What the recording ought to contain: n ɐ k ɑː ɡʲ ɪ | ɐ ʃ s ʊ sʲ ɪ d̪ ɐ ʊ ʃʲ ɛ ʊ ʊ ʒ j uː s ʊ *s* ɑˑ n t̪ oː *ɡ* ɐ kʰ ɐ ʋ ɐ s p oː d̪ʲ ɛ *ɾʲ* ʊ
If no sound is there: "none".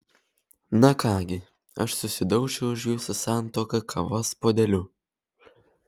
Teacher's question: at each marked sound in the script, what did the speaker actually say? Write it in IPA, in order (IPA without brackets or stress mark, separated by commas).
s, k, lʲ